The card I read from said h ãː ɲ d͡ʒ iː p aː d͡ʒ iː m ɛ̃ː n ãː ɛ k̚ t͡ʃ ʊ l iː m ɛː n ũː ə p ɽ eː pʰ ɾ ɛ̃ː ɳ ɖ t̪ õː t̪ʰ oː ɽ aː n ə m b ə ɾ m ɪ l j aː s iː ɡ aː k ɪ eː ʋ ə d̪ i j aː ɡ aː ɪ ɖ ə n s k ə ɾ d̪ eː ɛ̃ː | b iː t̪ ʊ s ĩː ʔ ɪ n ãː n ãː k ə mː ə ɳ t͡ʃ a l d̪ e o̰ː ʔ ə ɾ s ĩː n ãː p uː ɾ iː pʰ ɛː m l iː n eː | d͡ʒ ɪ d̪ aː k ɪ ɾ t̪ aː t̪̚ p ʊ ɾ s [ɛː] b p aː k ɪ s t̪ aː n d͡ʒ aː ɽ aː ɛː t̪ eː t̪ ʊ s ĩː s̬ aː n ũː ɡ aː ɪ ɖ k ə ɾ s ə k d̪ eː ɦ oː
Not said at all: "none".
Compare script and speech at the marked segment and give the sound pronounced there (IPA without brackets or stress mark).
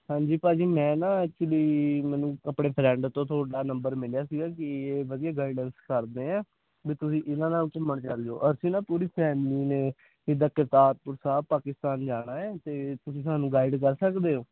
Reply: aː